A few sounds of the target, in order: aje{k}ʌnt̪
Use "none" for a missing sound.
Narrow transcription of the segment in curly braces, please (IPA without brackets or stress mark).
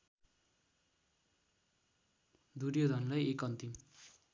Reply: k